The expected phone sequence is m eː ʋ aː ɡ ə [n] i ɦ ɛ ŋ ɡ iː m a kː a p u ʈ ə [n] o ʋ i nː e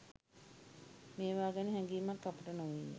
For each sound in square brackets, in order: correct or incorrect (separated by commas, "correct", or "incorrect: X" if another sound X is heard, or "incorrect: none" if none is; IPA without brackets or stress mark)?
correct, correct